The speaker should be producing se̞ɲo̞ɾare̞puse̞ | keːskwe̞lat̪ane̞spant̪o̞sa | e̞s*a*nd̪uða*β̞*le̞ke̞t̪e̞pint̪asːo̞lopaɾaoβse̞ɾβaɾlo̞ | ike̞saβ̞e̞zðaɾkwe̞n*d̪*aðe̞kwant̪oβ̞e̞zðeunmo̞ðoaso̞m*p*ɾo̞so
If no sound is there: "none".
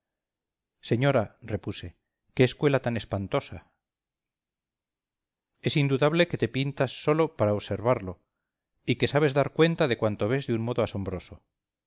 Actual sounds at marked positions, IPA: i, β̞, t̪, b

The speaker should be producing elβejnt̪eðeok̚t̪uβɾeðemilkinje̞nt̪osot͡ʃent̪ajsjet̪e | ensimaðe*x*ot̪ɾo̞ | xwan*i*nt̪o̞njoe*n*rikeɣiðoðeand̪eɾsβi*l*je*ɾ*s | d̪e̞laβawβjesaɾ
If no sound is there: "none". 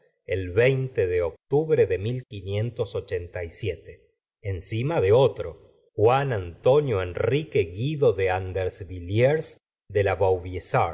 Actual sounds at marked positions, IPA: none, a, n, l, ɾ

